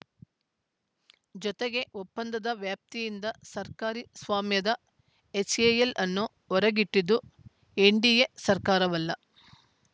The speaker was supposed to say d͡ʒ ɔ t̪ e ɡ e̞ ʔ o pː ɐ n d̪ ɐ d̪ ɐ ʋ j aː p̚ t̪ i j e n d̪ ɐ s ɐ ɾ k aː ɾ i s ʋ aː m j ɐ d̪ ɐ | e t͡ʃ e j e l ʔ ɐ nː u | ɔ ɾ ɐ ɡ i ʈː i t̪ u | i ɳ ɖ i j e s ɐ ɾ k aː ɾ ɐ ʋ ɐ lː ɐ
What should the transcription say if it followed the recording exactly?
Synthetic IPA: d͡ʒ ɔ t̪ e ɡ e̞ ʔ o pː ɐ n d̪ ɐ d̪ ɐ ʋ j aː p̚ t̪ i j i n d̪ ɐ s ɐ ɾ k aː ɾ i s ʋ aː m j ɐ d̪ ɐ | e t͡ʃ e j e l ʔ ɐ nː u | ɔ ɾ ɐ ɡ i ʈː i d̪ u | e ɳ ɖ i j e s ɐ ɾ k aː ɾ ɐ ʋ ɐ lː ɐ

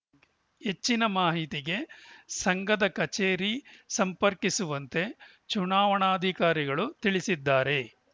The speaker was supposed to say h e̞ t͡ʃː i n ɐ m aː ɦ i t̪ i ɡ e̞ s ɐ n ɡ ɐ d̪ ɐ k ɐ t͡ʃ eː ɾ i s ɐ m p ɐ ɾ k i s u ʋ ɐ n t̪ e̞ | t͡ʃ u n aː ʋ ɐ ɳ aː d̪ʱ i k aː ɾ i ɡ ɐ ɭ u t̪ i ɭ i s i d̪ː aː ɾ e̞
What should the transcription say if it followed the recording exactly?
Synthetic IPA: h e̞ t͡ʃː i n ɐ m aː ɦ i t̪ i ɡ e̞ s ɐ ŋ ɡ ɐ d̪ ɐ k ɐ t͡ʃ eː ɾ i s ɐ m p ɐ ɾ k i s u ʋ ɐ n t̪ e̞ | t͡ʃ u n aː ʋ ɐ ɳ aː d̪ʱ i k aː ɾ i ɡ ɐ ɭ u t̪ i ɭ i s i d̪ː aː ɾ e̞

